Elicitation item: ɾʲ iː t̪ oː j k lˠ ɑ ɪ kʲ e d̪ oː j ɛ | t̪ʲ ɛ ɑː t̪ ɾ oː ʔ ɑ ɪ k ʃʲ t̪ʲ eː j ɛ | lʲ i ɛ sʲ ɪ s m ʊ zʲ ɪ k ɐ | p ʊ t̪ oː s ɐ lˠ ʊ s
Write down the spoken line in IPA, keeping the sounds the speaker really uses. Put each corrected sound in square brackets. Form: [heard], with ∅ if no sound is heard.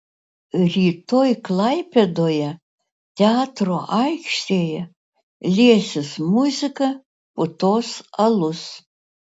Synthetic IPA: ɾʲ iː t̪ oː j k lˠ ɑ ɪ [pʲ] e d̪ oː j ɛ | t̪ʲ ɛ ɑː t̪ ɾ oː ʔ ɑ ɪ k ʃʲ t̪ʲ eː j ɛ | lʲ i ɛ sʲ ɪ s m ʊ zʲ ɪ k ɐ | p ʊ t̪ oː s ɐ lˠ ʊ s